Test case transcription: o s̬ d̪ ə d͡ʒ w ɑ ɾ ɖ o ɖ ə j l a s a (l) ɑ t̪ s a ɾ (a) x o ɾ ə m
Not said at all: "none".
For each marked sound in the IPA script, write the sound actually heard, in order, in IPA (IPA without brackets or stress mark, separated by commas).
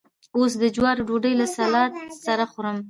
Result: l, a